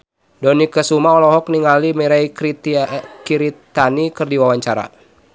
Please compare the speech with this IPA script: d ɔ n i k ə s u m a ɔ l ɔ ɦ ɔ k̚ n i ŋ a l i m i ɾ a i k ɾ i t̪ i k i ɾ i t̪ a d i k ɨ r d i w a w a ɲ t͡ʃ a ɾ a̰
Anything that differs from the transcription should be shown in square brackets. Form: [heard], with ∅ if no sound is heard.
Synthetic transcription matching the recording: d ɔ n i k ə s u m a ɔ l ɔ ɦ ɔ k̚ n i ŋ a l i m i ɾ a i k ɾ i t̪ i k i ɾ i t̪ a [n] i k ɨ r d i w a w a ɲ t͡ʃ a ɾ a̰